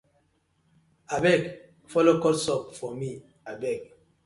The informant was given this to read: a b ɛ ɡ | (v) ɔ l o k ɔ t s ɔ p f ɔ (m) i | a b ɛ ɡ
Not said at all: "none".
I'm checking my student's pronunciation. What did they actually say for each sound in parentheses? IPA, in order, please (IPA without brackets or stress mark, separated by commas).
f, m